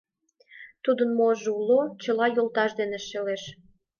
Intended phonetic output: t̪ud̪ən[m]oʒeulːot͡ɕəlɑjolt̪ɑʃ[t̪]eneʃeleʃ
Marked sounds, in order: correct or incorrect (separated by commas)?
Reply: correct, incorrect